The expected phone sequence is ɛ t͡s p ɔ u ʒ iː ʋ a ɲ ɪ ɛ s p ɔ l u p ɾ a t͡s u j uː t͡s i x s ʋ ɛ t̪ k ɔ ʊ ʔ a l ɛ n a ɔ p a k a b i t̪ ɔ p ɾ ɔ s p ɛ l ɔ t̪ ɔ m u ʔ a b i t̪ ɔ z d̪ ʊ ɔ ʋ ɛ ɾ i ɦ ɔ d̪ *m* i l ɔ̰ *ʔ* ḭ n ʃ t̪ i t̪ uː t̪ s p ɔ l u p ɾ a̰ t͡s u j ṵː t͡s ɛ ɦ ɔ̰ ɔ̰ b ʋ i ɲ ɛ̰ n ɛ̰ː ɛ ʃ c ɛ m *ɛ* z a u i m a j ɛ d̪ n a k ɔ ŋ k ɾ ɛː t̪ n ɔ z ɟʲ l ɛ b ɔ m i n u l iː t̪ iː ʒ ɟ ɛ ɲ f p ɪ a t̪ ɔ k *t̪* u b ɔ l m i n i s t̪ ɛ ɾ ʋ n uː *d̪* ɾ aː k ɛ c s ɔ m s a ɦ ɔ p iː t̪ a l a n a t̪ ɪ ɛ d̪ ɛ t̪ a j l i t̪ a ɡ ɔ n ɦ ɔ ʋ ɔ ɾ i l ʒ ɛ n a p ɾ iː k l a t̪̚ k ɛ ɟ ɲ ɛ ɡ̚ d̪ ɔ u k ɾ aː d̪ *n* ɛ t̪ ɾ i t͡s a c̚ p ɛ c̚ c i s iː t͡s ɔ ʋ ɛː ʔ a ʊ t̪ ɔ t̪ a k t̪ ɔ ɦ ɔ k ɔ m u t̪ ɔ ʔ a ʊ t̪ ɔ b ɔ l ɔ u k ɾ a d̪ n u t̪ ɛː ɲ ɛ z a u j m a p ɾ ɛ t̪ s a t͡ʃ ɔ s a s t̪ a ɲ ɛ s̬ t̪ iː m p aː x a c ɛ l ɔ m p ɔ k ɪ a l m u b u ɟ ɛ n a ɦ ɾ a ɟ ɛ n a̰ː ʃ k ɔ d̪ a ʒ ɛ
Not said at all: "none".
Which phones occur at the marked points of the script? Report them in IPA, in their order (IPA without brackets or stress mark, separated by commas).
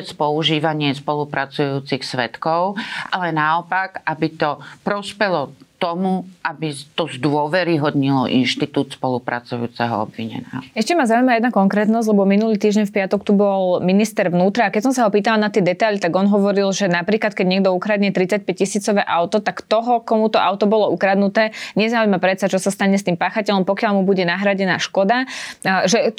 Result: ɲ, ʔ, a, t̪, t̪, ɲ